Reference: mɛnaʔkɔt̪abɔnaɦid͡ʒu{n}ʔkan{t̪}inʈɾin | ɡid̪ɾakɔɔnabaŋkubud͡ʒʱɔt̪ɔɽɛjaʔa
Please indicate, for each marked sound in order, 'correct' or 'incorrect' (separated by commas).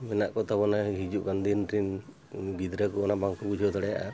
incorrect, incorrect